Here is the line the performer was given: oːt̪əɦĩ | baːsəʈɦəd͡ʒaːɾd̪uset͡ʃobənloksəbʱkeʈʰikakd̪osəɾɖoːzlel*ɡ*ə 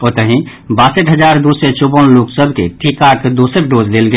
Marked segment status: correct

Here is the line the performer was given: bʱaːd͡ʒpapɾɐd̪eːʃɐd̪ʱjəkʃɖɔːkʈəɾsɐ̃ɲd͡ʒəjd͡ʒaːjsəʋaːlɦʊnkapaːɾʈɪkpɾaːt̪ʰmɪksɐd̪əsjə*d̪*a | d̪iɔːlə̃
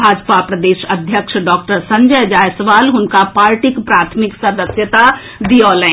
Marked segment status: incorrect: t̪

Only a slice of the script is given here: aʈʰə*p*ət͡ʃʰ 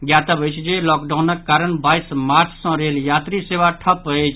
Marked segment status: correct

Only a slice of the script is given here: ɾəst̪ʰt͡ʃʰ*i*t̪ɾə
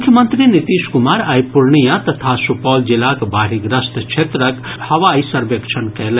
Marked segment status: incorrect: e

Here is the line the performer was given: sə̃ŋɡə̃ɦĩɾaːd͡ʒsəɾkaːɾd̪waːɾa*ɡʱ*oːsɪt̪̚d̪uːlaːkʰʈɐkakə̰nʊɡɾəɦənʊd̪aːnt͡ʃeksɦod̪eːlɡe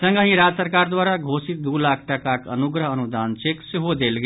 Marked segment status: correct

